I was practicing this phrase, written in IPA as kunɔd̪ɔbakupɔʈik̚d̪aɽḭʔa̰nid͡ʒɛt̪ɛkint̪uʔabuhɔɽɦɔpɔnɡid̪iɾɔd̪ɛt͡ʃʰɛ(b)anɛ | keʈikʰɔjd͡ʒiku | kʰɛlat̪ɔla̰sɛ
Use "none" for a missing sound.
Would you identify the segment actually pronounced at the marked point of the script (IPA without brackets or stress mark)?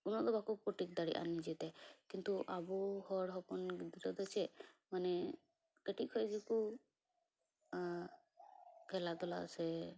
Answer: m